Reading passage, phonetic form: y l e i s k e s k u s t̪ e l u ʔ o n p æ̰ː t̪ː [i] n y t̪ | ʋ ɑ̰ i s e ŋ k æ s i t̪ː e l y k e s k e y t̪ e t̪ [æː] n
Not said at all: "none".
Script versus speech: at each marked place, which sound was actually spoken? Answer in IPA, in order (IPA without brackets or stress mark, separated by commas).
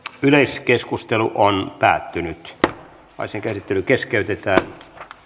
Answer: y, æː